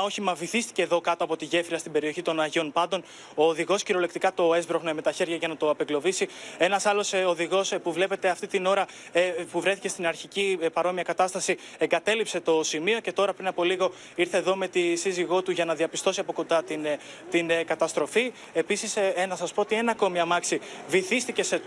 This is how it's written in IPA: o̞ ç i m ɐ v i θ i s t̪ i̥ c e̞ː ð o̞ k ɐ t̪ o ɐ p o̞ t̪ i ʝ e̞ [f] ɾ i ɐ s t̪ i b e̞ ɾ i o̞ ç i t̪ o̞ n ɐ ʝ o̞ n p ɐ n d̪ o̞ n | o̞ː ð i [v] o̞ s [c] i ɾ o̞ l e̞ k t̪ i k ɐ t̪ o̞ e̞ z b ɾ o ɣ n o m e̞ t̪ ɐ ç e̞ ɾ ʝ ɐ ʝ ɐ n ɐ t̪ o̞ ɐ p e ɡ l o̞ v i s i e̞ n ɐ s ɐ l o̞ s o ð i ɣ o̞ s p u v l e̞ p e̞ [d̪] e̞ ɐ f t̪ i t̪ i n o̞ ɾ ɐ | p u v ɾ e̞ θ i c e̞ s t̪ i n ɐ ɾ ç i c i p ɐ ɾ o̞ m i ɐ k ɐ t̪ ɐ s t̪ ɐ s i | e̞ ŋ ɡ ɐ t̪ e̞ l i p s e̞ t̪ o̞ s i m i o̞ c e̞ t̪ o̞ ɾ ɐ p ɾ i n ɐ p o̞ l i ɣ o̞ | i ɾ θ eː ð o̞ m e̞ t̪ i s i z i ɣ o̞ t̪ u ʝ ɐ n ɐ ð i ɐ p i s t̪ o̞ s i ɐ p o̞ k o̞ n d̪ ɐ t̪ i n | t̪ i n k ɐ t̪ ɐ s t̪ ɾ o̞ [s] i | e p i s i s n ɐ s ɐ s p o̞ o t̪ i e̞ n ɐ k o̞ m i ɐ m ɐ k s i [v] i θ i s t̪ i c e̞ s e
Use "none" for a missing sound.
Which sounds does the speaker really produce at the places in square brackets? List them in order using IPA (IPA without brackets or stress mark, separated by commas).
f, ɣ, c, t̪, f, v